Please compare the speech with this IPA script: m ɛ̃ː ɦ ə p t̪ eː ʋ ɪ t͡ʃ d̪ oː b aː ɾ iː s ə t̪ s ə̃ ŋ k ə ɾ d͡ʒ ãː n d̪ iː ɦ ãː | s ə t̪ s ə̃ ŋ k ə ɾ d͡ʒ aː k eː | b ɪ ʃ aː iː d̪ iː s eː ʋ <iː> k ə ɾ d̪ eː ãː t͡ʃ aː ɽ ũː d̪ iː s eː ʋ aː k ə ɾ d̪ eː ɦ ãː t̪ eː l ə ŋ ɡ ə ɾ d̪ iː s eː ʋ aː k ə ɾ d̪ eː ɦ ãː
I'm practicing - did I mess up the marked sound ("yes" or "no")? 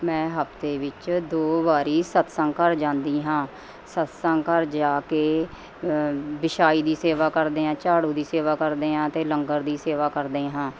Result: yes